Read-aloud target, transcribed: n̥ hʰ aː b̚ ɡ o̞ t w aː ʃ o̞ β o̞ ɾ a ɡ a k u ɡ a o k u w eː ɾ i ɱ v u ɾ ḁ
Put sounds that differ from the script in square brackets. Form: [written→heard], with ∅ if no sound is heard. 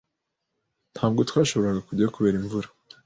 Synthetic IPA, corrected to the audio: n̥ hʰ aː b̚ ɡ o̞ t w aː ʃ o̞ β o̞ ɾ a ɡ a k u [ɡ→ɟ] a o k u [w→β] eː ɾ i ɱ v u ɾ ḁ